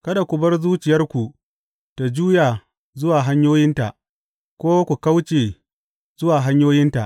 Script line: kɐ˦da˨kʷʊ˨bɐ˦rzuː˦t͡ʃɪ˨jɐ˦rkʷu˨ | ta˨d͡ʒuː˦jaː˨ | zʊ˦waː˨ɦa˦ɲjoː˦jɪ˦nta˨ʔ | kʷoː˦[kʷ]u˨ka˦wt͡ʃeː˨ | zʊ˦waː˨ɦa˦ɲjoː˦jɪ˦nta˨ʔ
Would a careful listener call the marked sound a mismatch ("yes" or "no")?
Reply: no